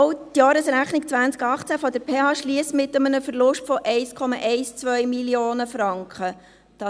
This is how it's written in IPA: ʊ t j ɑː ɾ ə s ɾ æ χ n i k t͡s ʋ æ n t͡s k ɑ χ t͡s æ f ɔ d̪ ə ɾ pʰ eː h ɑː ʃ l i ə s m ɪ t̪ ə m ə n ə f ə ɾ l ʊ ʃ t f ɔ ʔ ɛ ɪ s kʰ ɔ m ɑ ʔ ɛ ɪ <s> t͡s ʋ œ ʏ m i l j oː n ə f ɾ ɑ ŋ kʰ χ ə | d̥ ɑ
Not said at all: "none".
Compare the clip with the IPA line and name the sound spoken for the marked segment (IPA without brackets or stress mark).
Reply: s